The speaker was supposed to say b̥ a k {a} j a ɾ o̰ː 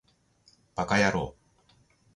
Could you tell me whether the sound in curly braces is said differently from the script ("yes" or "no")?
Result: no